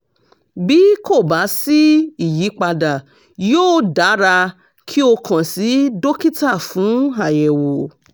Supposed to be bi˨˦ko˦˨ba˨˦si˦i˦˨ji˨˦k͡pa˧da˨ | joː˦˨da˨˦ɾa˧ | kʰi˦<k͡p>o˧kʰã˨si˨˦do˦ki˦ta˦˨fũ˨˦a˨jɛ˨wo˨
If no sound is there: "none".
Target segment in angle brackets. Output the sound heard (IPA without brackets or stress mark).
none